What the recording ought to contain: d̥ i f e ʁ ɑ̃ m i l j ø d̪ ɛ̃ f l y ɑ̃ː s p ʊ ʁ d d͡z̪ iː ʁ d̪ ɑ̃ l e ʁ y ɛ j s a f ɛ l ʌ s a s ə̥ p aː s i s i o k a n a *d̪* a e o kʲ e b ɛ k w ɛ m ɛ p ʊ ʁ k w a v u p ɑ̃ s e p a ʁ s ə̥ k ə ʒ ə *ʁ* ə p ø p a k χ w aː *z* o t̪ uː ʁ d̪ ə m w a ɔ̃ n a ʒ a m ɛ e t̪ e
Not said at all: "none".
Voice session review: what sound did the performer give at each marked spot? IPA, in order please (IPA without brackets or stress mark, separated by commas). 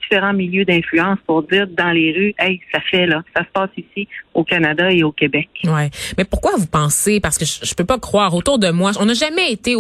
d̪, ʒ, ʁ